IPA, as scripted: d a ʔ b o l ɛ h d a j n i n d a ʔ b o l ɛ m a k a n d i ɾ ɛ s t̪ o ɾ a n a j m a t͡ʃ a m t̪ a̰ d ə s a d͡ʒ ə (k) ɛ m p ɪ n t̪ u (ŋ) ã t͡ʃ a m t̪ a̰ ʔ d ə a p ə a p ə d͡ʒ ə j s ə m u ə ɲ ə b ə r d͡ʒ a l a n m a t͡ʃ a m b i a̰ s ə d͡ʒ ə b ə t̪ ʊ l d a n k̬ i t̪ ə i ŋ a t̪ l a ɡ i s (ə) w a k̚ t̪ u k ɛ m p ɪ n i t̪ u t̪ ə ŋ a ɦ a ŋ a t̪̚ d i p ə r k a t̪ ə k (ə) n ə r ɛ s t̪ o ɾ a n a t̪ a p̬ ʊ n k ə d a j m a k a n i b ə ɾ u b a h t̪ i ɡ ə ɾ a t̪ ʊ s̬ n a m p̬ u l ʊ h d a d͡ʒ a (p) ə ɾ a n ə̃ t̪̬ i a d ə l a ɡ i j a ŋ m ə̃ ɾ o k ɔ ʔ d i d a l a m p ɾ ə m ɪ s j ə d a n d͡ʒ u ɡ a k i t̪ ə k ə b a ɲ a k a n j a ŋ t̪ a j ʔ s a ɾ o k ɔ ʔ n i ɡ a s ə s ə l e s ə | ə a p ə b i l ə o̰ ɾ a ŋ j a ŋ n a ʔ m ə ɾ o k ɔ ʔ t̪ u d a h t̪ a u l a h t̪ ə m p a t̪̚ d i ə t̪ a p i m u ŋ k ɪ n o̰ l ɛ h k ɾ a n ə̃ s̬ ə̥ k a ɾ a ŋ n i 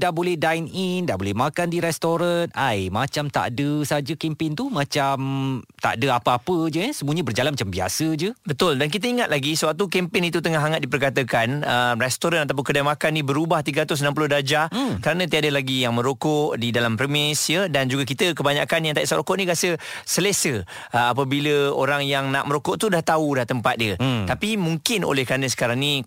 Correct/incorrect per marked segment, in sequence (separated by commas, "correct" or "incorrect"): correct, incorrect, correct, incorrect, incorrect